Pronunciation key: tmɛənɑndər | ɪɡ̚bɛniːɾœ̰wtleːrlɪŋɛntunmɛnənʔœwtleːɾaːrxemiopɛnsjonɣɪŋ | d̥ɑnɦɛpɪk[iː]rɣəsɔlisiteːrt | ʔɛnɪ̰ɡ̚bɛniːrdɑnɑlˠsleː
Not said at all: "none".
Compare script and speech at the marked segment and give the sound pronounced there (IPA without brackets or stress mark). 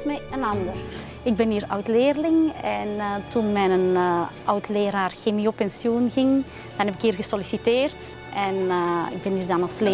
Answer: iː